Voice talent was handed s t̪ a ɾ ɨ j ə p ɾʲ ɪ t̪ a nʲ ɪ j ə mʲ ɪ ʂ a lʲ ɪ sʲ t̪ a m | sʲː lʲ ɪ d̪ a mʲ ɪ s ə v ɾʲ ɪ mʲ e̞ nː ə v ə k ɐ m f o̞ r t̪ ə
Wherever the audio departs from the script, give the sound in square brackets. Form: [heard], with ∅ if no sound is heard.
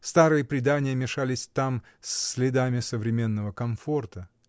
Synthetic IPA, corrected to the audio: s t̪ a ɾ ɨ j ə p ɾʲ ɪ [d̪] a nʲ ɪ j ə mʲ ɪ ʂ a lʲ ɪ sʲ t̪ a m | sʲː lʲ ɪ d̪ a mʲ ɪ s ə v ɾʲ ɪ mʲ e̞ nː ə v ə k ɐ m f o̞ r t̪ ə